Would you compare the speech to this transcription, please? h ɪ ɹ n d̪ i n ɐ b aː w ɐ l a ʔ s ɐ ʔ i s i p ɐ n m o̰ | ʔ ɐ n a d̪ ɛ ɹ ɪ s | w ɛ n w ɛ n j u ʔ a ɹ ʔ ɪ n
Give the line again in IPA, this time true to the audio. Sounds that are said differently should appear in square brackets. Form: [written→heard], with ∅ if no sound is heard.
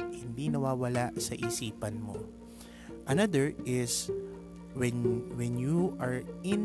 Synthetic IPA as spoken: h ɪ [ɹ→∅] n d̪ i n ɐ [b→w] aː w ɐ l a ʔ s ɐ ʔ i s [i→iː] p ɐ n m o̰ | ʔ ɐ n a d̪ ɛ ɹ ɪ s | w ɛ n w ɛ n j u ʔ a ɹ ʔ ɪ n